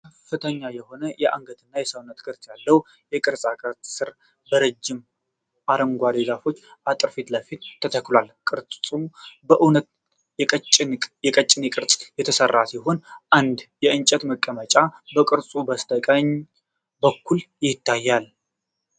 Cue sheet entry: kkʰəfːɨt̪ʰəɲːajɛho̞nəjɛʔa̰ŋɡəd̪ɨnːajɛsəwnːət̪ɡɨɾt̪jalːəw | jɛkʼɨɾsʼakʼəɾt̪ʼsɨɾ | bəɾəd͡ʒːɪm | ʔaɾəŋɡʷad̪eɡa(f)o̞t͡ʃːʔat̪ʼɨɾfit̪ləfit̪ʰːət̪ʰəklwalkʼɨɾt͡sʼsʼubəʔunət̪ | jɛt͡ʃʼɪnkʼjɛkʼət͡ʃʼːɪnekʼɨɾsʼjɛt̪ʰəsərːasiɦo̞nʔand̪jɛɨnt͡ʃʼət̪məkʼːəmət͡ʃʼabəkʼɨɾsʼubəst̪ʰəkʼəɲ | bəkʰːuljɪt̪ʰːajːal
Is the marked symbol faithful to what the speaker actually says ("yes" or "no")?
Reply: yes